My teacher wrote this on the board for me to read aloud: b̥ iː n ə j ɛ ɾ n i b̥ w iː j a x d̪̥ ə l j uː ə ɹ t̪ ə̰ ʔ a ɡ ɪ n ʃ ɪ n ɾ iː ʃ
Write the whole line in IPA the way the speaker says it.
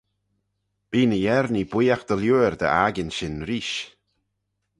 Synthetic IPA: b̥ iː n ə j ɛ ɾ n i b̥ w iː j a x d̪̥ ə l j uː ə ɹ d̪ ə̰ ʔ a ɡ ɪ n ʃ ɪ n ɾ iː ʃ

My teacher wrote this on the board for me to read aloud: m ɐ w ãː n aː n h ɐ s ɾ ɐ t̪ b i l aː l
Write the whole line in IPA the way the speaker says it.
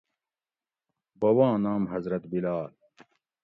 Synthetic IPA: b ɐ w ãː n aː m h ɐ z ɾ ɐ t̪ b i l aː l

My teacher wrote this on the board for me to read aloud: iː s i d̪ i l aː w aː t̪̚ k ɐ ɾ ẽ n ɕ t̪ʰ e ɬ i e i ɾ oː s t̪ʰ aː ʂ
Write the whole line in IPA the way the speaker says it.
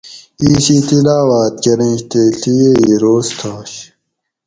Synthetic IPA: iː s i t̪ i l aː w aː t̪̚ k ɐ ɾ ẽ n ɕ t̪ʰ e ɬ i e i ɾ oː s t̪ʰ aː ɕ

